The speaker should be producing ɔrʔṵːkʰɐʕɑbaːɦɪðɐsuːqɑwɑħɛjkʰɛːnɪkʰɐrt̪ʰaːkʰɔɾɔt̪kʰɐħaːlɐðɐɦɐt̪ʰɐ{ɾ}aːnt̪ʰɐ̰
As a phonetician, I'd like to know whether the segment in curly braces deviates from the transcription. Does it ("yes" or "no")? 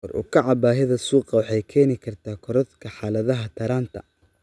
no